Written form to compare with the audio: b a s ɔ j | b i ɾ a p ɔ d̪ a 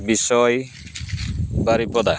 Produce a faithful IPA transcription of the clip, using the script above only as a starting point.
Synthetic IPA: b i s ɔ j | b a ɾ i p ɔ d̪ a